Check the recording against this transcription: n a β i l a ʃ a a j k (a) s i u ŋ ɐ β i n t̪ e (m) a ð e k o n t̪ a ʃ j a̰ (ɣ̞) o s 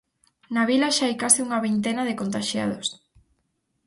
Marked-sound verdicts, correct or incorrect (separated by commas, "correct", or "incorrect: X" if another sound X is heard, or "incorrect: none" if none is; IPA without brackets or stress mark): correct, incorrect: n, incorrect: ð̞